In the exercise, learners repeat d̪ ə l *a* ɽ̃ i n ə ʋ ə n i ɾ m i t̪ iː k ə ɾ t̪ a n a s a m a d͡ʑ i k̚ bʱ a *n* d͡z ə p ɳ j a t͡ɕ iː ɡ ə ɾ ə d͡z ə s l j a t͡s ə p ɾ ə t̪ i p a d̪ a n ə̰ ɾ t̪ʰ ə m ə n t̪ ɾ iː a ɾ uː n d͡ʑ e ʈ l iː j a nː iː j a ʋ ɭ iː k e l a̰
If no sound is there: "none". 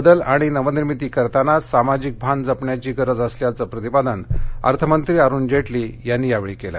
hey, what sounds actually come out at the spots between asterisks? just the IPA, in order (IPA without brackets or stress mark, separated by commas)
a, n